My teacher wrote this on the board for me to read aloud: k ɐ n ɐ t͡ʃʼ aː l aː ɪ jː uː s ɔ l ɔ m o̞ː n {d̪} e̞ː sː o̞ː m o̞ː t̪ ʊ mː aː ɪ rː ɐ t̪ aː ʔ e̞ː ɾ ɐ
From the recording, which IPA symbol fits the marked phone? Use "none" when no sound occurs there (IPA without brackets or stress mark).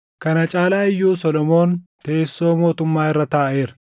t̪